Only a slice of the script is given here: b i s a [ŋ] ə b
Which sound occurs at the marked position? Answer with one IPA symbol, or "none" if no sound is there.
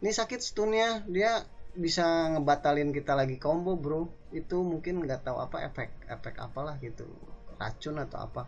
ŋ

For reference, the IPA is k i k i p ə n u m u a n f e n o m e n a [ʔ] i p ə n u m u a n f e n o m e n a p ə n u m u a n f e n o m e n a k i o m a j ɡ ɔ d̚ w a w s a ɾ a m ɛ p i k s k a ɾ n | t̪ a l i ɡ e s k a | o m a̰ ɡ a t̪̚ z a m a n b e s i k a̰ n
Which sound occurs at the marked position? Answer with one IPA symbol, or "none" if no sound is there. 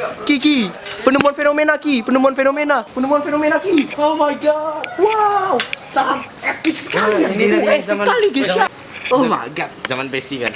k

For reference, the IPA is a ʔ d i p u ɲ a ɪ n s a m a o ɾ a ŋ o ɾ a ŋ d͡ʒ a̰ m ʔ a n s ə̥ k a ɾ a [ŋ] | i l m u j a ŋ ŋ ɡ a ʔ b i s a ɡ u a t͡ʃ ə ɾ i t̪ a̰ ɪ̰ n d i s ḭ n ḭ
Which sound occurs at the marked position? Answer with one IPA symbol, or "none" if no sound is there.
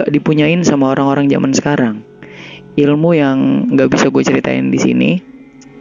ŋ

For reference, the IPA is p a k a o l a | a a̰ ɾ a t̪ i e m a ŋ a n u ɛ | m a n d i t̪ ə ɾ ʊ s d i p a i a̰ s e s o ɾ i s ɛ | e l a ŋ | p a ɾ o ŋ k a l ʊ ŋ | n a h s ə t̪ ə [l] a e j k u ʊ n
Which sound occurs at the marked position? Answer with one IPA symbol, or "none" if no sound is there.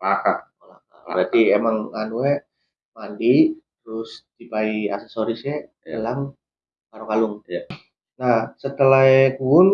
l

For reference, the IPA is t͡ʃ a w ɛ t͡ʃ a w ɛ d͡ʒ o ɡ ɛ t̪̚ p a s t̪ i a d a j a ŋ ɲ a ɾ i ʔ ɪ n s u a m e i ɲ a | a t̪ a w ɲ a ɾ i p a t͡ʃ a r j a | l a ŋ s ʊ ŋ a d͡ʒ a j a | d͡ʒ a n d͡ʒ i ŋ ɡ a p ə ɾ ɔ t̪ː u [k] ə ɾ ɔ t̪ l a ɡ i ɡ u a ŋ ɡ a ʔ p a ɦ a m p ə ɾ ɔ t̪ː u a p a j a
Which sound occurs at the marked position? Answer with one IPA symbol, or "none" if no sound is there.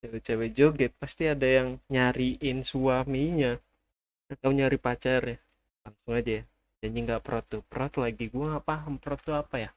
p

